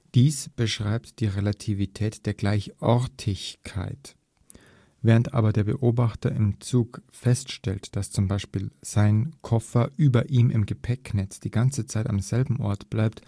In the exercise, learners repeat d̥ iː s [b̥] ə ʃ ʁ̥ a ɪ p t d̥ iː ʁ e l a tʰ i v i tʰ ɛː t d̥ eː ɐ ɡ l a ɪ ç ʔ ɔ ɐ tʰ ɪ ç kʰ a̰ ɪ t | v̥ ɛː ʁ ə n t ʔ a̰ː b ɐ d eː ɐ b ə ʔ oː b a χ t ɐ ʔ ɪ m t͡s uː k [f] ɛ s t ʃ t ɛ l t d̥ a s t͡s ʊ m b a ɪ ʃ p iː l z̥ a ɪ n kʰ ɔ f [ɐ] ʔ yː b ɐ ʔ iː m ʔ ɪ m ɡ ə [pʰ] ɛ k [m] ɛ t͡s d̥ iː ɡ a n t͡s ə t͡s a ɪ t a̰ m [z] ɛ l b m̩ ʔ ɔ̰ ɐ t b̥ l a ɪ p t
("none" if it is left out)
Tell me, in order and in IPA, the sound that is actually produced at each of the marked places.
b̥, f, ɐ, pʰ, n, z

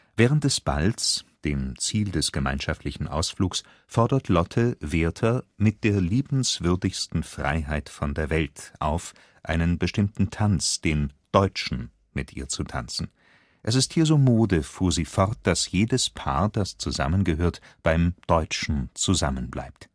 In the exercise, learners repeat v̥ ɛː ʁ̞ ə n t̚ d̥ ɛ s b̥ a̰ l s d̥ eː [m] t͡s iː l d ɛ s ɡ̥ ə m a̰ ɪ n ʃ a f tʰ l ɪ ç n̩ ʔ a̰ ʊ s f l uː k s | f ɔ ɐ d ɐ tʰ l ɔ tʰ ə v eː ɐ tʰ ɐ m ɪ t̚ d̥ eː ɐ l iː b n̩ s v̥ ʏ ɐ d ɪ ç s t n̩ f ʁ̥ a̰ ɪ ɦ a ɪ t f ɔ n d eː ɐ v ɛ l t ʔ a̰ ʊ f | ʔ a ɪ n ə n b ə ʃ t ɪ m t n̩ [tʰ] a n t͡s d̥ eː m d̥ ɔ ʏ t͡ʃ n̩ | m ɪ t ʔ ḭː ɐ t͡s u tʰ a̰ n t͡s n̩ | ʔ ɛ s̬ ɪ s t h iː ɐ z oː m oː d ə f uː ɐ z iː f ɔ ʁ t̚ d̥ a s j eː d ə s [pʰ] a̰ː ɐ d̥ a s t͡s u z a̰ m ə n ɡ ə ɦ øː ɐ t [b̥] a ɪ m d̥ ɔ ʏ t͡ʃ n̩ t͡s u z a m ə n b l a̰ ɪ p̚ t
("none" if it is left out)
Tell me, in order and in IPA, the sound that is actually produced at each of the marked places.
m, tʰ, pʰ, b̥

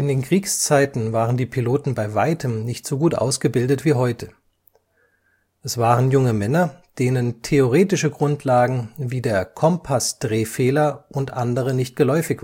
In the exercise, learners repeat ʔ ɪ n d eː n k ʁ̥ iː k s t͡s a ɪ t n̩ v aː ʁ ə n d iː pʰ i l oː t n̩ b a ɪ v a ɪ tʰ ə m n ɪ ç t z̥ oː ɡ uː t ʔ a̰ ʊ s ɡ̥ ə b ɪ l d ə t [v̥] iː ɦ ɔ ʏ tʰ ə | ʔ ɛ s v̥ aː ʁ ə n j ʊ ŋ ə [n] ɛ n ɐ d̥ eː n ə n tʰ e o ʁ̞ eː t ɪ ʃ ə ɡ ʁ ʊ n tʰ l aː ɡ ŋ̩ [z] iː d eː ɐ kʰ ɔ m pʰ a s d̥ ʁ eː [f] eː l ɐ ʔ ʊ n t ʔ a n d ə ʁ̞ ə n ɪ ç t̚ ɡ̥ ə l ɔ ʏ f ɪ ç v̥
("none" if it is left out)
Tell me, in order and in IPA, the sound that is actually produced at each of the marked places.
v̥, m, v, f

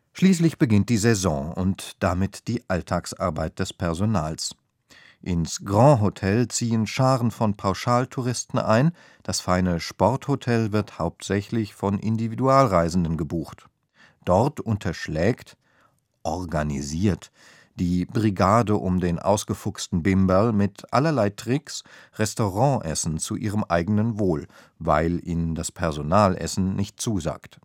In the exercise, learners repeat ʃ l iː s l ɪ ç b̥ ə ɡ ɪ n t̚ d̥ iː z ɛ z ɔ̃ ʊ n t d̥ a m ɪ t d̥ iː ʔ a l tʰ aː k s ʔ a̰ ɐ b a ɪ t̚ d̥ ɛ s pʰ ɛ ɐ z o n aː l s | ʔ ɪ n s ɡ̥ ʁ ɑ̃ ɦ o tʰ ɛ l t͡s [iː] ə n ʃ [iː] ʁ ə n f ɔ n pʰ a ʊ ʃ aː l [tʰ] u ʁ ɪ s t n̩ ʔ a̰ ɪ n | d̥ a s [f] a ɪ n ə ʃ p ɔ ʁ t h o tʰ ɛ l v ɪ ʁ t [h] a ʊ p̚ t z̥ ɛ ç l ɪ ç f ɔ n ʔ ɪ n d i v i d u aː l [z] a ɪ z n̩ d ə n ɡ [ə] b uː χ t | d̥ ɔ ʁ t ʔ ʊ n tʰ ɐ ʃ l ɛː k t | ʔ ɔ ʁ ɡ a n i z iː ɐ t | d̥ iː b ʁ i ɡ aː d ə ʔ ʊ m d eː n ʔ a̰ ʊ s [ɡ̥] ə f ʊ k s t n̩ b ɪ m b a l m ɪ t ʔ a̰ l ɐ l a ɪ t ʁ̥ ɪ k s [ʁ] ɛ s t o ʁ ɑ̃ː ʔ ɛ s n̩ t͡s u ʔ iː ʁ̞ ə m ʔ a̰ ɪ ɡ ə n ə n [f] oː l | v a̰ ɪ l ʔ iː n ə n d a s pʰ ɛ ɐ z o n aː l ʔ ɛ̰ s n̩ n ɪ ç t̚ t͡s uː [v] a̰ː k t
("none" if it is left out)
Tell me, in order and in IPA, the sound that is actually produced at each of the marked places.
iː, aː, tʰ, f, h, ʁ, ə, ɡ̥, ʁ, v, z

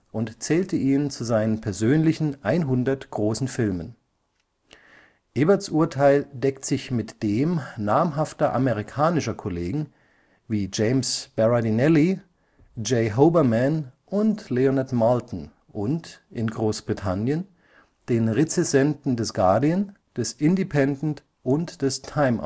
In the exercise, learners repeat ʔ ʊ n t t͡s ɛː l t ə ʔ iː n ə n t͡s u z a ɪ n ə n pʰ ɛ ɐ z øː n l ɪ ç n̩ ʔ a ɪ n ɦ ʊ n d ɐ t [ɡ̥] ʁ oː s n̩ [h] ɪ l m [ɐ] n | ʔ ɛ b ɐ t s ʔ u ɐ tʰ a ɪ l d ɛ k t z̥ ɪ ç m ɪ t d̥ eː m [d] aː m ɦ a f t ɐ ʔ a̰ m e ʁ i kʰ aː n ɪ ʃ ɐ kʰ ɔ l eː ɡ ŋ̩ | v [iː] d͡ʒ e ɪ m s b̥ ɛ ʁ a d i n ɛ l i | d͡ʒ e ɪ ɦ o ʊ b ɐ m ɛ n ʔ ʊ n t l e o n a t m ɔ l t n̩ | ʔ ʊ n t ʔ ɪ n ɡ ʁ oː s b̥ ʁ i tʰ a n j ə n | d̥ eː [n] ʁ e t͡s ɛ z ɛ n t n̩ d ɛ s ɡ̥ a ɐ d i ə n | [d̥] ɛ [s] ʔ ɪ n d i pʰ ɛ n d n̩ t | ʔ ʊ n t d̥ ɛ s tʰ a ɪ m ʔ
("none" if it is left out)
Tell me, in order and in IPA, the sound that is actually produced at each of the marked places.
ɡ̥, f, ə, n, iː, n, d̥, s

